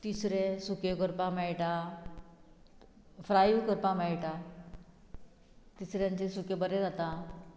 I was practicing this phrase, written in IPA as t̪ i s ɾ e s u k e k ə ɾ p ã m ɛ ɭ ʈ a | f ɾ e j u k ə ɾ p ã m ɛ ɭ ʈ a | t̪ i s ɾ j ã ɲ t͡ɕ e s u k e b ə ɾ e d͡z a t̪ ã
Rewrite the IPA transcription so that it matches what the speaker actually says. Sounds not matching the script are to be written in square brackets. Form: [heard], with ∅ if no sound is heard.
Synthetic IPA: t̪ i s ɾ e s u k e k ə ɾ p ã m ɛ ɭ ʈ a | f ɾ [a] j u k ə ɾ p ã m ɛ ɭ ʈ a | t̪ i s ɾ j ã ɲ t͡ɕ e s u k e b ə ɾ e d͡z a t̪ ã